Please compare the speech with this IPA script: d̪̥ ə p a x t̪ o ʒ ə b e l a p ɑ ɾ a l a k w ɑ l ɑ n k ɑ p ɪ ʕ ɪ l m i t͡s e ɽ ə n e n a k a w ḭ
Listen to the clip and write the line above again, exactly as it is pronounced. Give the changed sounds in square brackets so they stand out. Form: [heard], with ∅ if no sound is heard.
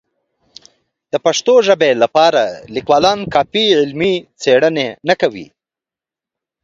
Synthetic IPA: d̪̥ ə p a [ʂ] t̪ o ʒ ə b e l a p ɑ ɾ a l [i] k w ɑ l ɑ n k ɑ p [i] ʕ ɪ l m i t͡s e ɽ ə n e n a k a w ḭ